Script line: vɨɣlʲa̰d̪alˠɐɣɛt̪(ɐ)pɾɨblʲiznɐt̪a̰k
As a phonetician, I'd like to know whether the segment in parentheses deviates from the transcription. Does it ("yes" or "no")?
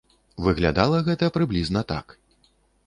no